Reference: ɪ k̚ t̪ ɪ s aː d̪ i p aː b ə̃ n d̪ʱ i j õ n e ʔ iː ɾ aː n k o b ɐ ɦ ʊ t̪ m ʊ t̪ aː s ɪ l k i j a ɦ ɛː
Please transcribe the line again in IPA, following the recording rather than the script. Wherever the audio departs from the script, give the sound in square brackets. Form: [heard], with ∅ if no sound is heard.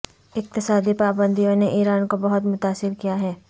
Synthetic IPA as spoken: ɪ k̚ t̪ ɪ s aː d̪ i p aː b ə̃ n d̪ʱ i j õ n e ʔ iː ɾ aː n k o b ɐ ɦ ʊ t̪ m ʊ t̪ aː s ɪ [ɾ] k i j a ɦ ɛː